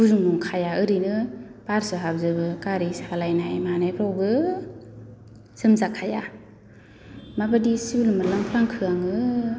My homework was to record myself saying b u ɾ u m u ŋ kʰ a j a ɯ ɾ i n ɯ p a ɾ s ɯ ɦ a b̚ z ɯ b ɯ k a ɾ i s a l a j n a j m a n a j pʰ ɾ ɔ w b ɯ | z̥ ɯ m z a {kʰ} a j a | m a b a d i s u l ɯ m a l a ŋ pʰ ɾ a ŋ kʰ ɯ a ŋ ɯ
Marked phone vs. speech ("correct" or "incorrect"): correct